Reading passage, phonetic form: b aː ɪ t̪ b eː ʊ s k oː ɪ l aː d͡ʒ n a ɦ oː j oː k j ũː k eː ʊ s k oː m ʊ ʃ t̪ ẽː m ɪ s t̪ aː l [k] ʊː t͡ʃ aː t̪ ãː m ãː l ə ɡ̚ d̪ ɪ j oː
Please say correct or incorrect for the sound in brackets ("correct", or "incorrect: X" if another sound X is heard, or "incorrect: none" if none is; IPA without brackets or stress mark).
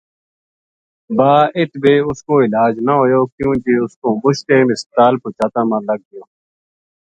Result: incorrect: p